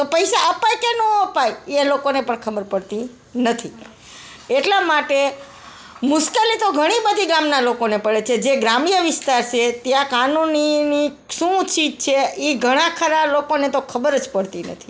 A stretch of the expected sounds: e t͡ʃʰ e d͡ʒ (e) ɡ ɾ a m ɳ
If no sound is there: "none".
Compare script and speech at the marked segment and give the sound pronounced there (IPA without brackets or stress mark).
e